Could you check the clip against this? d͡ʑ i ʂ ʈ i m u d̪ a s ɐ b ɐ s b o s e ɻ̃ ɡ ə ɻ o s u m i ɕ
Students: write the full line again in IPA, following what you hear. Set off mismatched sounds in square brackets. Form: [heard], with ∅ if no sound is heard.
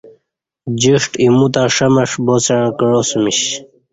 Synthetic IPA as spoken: d͡ʑ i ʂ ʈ i m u [t̪] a [ʂ] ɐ [m] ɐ [ʂ] b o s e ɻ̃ [k] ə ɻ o s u m i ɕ

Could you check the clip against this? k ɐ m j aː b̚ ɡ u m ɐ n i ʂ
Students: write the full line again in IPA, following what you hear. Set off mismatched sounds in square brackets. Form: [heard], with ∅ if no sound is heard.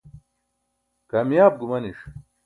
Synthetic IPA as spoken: k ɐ m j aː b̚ ɡ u m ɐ n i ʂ

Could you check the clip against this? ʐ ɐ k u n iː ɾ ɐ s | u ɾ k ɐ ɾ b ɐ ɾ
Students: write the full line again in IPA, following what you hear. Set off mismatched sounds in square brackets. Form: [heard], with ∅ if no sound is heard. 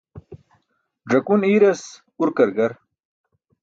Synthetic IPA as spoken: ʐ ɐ k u n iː ɾ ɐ s | u ɾ k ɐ ɾ [ɡ] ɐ ɾ

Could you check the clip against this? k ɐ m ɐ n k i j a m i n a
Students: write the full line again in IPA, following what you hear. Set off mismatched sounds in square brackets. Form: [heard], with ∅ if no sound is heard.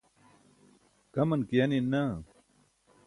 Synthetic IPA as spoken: k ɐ m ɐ n k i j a [n] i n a

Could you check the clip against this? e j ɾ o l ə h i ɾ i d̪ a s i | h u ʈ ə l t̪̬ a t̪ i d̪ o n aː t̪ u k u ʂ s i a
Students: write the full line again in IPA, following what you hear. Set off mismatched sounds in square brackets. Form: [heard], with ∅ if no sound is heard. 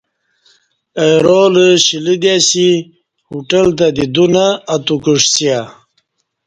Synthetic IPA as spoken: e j ɾ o l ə [ɕ] i [l] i d̪ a s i | h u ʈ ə l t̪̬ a [d̪] i d̪ [u] n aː t̪ u k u ʂ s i a

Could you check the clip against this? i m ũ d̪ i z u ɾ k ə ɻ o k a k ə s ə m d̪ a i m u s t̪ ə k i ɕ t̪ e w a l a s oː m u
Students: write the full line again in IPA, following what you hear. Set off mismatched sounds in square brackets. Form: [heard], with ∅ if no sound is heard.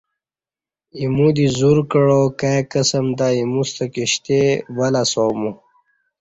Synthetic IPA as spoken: i m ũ d̪ i z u ɾ k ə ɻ o k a k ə s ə m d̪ a i m u s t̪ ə k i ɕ t̪ e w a l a s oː m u

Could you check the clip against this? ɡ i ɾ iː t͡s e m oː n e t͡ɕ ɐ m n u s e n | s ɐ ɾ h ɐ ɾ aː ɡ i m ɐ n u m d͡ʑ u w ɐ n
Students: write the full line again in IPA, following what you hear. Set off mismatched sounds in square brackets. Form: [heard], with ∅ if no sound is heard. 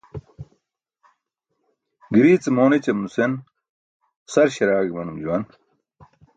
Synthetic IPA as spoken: ɡ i ɾ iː t͡s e m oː n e t͡ɕ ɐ m n u s e n | s ɐ ɾ [ɕ] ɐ ɾ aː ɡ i m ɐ n u m d͡ʑ u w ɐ n

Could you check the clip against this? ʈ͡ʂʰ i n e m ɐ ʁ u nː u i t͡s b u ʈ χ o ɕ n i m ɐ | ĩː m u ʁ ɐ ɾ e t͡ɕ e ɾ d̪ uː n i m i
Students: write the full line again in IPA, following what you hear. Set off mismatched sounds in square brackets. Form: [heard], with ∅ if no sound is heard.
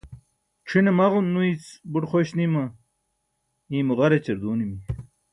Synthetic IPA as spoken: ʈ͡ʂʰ i n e m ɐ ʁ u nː u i t͡s b u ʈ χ o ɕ n i m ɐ | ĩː m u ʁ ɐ ɾ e t͡ɕ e ɾ d̪ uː n i m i

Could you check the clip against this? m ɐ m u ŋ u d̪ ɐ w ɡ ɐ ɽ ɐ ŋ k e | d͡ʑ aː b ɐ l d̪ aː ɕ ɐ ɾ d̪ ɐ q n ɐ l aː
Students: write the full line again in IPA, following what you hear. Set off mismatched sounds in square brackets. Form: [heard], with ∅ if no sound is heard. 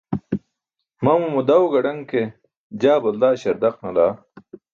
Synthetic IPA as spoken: m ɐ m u [m] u d̪ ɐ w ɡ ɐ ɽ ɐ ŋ k e | d͡ʑ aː b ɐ l d̪ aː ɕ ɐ ɾ d̪ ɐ q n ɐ l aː

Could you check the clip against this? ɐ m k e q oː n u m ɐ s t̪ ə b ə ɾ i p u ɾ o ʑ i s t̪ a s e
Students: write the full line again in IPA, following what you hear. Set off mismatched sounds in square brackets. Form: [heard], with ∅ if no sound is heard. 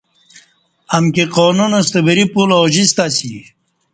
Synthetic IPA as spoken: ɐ m k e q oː n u [n] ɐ s t̪ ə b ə ɾ i p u [l] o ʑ i s t̪ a s [i]

